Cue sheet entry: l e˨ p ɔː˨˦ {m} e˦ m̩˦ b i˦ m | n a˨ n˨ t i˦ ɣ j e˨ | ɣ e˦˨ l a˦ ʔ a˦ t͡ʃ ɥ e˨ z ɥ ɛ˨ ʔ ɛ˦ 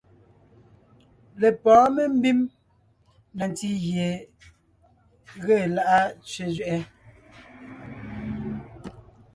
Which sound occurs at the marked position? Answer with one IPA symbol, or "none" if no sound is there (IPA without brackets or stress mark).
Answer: m